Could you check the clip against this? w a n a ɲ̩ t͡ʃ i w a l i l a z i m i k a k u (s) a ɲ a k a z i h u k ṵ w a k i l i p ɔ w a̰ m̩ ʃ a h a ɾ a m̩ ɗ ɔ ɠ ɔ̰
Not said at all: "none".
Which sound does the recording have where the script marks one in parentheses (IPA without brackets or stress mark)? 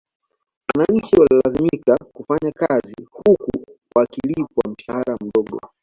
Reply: f